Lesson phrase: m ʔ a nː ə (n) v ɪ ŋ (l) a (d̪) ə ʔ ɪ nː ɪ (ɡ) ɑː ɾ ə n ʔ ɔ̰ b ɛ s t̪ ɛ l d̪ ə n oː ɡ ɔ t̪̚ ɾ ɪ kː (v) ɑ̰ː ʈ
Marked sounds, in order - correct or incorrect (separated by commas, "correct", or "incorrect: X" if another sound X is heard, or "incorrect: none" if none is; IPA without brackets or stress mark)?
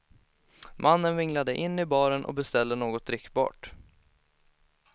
correct, correct, correct, incorrect: b, incorrect: b